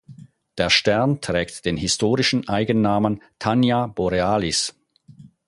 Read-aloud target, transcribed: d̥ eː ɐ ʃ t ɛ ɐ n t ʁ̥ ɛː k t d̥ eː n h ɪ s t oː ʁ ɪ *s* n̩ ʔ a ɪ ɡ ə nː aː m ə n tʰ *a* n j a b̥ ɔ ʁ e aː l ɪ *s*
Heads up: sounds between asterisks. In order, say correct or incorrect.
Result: incorrect, correct, correct

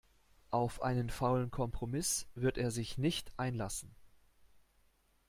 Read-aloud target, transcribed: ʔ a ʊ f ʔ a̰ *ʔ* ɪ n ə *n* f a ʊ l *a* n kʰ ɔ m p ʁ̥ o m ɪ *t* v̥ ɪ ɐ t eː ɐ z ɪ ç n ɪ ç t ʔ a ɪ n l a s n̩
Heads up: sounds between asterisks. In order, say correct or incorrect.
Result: incorrect, correct, incorrect, incorrect

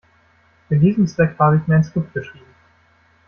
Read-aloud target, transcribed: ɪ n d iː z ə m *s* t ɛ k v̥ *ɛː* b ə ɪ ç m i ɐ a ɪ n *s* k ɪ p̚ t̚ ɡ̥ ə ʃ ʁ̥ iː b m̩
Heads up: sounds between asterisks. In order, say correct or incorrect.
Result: correct, incorrect, correct

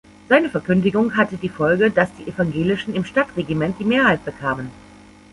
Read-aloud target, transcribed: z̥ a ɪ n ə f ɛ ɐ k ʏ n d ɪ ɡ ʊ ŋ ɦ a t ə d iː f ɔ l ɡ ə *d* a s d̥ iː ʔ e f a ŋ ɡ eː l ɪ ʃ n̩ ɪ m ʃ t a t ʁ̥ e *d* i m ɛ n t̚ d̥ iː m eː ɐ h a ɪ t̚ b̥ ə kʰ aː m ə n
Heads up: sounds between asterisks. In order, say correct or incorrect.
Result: correct, incorrect

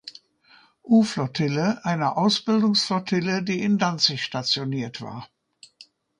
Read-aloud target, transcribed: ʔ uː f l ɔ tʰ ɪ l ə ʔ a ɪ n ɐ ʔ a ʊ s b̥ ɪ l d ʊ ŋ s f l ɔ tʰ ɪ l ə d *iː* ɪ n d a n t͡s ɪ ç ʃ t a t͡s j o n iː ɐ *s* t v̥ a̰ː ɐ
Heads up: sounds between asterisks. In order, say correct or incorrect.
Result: correct, incorrect

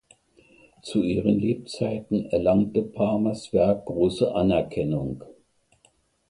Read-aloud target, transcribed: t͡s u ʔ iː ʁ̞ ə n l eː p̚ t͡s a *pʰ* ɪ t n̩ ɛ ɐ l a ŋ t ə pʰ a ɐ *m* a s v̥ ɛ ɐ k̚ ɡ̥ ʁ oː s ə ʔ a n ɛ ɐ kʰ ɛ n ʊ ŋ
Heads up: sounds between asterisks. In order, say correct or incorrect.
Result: incorrect, correct

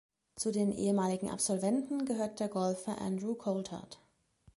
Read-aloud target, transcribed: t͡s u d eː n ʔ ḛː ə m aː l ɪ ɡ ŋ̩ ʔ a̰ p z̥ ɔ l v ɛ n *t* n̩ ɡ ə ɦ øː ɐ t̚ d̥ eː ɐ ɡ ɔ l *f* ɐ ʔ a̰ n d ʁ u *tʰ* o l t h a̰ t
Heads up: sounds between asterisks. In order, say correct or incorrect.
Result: correct, correct, incorrect

